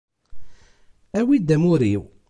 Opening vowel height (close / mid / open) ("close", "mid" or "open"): open